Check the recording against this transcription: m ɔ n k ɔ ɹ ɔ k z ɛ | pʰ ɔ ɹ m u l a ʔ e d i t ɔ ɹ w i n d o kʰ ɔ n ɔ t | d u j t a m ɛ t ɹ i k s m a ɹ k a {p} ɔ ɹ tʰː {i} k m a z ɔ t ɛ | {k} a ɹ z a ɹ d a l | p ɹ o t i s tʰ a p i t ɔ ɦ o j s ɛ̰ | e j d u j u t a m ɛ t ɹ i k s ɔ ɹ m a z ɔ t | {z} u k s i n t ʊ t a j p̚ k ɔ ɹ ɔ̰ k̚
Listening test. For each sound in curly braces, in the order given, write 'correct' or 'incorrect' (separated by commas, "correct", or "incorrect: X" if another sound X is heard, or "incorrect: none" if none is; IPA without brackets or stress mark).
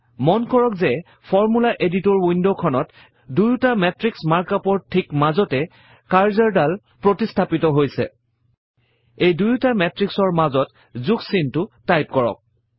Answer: correct, correct, correct, correct